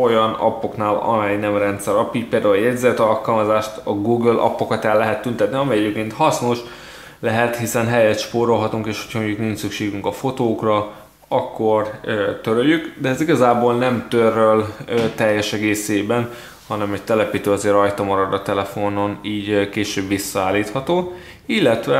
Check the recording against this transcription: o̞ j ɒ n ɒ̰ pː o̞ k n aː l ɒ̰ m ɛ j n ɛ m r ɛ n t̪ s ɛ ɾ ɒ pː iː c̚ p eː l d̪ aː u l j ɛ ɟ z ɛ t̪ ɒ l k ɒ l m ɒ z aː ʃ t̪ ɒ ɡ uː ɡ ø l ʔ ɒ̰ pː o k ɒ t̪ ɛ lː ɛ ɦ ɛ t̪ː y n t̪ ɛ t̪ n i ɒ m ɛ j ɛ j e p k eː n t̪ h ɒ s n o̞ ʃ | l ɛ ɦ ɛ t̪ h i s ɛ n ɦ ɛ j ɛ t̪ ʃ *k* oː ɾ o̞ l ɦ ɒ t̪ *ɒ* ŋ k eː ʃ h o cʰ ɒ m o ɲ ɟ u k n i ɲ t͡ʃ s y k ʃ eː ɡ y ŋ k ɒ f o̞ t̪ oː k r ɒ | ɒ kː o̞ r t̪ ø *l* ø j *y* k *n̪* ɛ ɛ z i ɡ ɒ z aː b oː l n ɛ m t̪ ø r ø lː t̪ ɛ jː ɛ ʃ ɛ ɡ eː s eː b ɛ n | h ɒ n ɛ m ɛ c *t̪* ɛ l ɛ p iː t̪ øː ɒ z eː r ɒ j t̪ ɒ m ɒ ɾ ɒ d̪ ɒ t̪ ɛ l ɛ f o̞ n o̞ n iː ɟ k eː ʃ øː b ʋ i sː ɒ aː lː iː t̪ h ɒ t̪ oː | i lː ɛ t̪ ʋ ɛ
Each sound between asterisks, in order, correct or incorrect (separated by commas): incorrect, incorrect, incorrect, correct, incorrect, correct